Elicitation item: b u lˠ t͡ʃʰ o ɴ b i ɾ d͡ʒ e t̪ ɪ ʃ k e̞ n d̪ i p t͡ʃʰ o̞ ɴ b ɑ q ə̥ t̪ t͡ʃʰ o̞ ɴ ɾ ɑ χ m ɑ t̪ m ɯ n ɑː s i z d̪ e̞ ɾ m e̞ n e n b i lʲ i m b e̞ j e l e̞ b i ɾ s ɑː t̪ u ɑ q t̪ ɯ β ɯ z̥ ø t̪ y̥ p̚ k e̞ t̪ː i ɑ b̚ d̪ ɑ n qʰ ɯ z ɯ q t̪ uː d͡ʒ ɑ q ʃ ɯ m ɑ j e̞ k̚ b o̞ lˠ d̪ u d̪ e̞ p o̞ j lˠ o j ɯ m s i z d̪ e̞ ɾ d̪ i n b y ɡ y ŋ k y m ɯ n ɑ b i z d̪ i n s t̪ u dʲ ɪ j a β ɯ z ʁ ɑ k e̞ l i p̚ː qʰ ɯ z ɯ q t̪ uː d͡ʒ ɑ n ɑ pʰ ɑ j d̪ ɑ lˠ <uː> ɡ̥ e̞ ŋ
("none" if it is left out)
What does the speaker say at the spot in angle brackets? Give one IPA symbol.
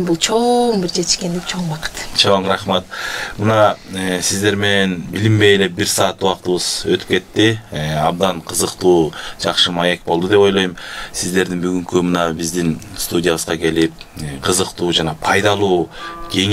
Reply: uː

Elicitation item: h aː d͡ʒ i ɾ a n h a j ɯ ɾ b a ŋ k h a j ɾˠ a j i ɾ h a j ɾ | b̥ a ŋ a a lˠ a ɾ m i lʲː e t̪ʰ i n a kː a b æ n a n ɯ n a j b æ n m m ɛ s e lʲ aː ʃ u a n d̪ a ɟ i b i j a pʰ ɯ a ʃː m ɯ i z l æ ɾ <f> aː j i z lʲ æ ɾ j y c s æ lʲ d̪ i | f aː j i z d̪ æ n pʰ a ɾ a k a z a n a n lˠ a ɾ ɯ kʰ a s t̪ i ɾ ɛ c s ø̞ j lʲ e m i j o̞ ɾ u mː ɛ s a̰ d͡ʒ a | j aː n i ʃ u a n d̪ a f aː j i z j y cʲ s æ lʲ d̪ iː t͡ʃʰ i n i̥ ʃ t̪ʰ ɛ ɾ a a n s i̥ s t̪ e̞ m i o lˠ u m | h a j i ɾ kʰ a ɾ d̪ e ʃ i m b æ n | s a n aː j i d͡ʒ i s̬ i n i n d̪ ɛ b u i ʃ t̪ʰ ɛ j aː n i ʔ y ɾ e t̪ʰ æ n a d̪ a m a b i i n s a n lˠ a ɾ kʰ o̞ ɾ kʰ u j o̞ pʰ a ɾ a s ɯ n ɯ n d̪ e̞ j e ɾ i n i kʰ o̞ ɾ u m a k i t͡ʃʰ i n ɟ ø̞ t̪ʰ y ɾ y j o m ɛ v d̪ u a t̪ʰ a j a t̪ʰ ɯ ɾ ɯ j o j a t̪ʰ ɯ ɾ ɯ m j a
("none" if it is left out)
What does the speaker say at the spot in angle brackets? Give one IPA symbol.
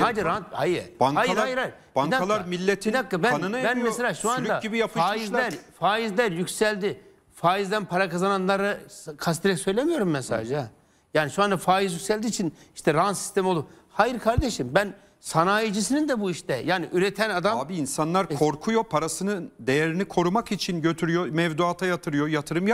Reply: f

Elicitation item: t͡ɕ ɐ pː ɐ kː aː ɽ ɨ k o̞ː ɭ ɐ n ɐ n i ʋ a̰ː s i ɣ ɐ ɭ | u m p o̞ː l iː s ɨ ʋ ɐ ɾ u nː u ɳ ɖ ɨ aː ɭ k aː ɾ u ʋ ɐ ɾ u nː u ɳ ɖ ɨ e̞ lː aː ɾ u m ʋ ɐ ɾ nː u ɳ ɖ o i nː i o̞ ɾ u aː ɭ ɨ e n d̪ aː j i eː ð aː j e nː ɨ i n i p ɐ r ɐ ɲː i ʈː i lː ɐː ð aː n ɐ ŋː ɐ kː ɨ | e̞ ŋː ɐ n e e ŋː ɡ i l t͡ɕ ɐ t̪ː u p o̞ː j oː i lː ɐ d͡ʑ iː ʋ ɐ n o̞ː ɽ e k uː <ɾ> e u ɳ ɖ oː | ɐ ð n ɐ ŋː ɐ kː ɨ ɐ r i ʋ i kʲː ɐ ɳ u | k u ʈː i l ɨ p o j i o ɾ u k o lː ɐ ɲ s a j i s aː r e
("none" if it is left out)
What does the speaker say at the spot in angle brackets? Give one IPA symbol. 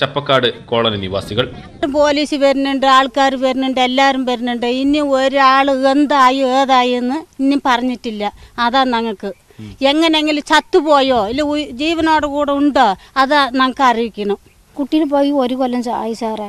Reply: ɽ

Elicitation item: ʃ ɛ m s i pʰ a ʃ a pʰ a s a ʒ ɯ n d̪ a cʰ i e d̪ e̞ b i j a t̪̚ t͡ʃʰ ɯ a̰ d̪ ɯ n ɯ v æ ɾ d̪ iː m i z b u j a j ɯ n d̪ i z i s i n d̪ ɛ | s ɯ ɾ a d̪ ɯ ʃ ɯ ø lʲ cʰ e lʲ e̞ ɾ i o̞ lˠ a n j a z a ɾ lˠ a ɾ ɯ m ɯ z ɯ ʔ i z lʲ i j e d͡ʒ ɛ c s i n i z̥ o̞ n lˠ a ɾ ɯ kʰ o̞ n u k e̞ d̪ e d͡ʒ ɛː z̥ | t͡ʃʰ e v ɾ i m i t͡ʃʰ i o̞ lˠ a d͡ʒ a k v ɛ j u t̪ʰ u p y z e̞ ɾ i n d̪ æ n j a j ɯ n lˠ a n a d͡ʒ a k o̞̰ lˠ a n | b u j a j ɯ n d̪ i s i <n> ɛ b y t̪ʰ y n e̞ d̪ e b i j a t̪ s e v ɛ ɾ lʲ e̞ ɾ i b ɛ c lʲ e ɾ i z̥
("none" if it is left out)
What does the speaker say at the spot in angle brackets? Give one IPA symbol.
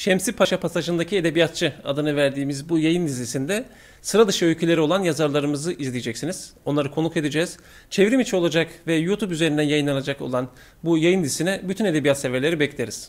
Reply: n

